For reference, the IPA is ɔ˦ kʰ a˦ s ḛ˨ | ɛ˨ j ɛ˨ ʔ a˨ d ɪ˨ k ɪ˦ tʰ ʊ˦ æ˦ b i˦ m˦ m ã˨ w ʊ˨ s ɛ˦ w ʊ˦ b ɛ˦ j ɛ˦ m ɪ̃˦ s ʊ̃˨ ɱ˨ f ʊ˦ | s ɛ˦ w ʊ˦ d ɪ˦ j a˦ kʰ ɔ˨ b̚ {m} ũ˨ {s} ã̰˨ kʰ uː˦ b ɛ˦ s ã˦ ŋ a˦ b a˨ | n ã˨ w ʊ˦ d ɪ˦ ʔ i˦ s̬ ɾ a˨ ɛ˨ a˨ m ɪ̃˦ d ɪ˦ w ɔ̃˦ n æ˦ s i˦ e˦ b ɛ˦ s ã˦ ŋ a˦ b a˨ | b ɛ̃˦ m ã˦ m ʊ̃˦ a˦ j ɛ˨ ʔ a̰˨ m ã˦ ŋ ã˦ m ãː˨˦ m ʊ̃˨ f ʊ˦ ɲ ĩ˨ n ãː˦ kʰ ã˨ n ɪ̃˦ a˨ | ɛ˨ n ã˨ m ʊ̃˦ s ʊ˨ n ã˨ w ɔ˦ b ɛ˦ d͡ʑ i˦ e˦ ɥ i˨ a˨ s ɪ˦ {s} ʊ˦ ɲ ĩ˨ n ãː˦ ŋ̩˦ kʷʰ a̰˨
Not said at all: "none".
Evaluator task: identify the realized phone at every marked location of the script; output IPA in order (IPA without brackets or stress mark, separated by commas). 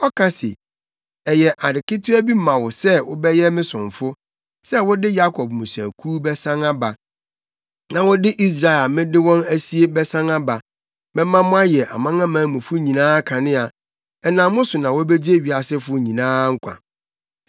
m, s, f